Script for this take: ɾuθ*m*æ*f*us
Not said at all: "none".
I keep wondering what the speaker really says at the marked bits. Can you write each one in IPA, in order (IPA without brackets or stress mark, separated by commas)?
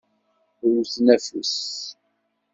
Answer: n, f